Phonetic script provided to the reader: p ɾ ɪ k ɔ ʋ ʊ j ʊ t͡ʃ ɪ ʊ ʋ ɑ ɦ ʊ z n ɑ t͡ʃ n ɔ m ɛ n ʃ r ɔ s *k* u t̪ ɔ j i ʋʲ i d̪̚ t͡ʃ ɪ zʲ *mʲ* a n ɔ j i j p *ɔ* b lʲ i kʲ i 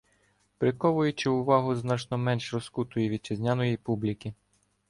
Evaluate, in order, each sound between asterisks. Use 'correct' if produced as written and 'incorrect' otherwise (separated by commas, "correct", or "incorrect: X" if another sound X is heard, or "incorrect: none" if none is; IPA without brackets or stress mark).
correct, incorrect: nʲ, incorrect: u